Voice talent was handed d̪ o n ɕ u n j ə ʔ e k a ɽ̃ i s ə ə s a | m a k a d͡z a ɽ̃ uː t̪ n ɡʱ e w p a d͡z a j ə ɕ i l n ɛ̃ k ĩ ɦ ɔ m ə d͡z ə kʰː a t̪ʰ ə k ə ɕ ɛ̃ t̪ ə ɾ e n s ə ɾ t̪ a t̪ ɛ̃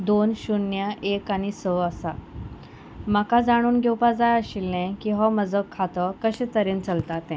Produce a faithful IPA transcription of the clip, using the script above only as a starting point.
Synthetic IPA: d̪ o n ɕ u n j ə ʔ e k a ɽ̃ i s ə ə s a | m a k a d͡z a ɽ̃ uː n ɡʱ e w p a d͡z a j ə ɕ i l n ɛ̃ k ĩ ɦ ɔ m ə d͡z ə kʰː a t̪ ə k ə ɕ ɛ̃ t̪ ə ɾ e n t͡s ə l t̪ a t̪ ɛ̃